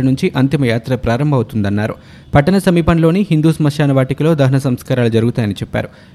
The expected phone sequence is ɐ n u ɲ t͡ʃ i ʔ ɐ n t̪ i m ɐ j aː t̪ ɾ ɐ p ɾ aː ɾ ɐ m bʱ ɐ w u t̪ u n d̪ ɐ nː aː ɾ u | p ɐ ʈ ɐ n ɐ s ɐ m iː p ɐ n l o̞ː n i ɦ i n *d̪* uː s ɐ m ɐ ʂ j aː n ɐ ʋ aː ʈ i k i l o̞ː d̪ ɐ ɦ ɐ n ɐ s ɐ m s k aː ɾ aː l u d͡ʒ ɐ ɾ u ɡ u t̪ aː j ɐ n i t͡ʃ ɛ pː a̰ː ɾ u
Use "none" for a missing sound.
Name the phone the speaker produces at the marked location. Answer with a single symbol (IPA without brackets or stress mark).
d̪